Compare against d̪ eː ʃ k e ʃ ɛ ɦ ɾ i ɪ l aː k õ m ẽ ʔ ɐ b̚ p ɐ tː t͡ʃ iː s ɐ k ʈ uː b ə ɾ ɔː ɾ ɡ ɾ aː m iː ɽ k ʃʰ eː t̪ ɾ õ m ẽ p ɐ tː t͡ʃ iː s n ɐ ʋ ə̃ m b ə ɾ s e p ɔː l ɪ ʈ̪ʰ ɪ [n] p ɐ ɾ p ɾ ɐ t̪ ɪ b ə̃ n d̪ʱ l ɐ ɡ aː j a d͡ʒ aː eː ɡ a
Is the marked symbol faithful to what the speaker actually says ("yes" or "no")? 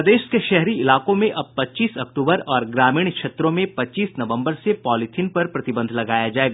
yes